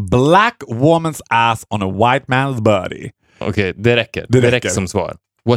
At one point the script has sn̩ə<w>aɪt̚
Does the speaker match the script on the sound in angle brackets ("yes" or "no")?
yes